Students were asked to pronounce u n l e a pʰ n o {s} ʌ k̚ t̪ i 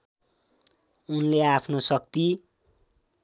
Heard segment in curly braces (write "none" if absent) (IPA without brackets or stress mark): s